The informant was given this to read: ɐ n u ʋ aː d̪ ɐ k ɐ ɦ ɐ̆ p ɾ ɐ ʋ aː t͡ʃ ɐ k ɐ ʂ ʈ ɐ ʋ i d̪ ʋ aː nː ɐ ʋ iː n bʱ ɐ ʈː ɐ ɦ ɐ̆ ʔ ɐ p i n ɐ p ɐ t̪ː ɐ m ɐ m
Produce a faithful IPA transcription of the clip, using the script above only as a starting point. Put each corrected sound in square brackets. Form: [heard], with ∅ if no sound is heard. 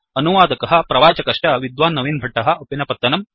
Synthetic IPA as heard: ɐ n u ʋ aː d̪ ɐ k ɐ ɦ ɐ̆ p ɾ ɐ ʋ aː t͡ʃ ɐ k ɐ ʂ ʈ ɐ ʋ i d̪ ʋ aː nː ɐ ʋ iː n bʱ ɐ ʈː ɐ ɦ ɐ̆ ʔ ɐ p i n ɐ p ɐ t̪ː ɐ [n] ɐ m